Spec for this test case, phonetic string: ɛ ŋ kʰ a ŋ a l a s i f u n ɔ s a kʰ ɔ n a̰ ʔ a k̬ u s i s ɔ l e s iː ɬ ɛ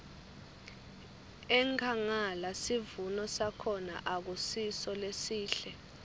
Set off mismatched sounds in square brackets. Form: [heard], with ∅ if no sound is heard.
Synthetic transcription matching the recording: ɛ ŋ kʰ a ŋ a l a s i [v] u n ɔ s a kʰ ɔ n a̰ ʔ a k̬ u s i s ɔ l e s iː ɬ ɛ